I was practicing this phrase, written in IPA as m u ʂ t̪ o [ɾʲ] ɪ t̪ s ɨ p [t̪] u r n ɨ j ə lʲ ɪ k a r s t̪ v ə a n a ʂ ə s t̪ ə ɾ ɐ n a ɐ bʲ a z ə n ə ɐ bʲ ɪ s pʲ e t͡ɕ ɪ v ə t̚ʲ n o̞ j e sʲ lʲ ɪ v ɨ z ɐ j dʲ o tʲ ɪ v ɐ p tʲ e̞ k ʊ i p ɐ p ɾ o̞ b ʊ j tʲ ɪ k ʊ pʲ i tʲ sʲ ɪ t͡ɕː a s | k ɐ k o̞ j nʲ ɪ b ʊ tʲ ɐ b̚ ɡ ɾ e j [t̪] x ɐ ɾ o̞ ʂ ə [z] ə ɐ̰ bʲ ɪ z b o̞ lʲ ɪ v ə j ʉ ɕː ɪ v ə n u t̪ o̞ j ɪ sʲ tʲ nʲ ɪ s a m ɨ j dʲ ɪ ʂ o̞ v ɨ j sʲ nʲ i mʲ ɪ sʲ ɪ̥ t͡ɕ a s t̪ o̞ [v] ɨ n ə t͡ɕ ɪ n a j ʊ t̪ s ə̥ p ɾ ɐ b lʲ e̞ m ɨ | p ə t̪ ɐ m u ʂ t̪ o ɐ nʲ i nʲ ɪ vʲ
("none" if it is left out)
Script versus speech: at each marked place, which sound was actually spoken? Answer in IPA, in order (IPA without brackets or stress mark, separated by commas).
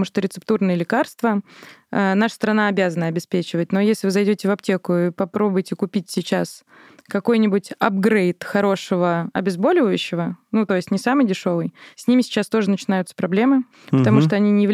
ɾʲ, t̪, t̪, v, ʐ